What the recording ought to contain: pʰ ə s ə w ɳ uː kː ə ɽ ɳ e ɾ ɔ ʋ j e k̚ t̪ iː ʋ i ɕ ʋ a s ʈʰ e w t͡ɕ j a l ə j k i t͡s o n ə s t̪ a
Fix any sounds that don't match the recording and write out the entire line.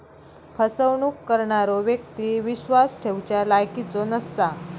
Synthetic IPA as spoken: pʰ ə s ə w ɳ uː kː ə ɾ ɳ a ɾ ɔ ʋ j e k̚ t̪ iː ʋ i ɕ ʋ a s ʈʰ e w t͡ɕ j a l a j k i t͡s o n ə s t̪ a